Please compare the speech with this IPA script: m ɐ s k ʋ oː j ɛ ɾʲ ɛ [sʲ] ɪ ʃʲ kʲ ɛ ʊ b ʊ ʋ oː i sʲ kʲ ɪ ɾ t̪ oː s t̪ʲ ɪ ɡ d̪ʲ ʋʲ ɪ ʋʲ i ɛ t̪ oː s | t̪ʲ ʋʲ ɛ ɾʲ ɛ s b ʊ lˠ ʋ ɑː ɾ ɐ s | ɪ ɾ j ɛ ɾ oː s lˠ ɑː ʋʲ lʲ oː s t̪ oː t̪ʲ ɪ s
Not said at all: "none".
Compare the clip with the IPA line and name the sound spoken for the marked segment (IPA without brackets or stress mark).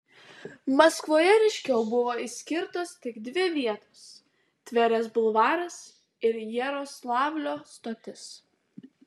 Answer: none